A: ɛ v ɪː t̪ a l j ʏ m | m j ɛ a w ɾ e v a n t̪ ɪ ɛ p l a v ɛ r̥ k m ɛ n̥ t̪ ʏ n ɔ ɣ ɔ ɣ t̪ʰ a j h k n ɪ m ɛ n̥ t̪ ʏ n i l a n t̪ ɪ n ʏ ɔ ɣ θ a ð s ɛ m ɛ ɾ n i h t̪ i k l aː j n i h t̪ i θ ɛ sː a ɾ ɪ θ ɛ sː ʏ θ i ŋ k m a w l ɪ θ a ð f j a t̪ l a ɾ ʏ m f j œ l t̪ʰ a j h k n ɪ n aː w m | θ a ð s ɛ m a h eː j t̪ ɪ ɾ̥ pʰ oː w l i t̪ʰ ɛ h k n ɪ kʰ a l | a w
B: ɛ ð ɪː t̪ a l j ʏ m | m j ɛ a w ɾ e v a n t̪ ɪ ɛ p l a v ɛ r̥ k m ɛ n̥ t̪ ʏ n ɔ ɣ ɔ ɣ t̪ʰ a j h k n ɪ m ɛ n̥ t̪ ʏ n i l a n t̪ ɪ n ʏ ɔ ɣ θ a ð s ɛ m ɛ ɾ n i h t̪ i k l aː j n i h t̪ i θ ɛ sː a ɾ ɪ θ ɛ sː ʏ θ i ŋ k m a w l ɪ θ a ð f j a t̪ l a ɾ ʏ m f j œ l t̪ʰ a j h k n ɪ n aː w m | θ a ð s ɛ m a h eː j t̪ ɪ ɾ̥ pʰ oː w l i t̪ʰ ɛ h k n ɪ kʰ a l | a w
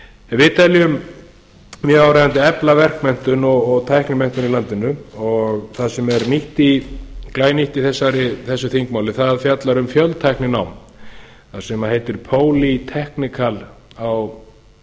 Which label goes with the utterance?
A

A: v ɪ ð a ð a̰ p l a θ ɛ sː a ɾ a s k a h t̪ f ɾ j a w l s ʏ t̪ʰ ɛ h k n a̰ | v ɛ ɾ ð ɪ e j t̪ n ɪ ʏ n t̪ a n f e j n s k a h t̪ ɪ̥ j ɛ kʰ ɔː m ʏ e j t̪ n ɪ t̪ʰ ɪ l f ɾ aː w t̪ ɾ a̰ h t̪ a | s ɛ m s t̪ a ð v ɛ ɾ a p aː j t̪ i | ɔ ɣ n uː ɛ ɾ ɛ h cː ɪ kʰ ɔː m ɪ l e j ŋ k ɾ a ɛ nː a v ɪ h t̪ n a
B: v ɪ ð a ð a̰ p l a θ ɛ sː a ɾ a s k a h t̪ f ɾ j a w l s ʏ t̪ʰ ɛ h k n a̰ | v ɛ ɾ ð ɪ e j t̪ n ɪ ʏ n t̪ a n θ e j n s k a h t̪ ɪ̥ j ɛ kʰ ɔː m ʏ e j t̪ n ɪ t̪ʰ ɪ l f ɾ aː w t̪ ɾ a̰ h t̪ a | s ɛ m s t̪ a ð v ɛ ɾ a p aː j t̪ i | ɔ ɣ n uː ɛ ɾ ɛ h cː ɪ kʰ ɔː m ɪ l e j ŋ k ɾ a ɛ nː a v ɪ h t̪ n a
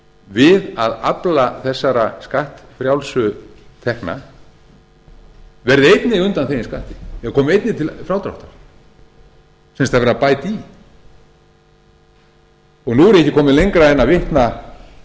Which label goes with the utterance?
B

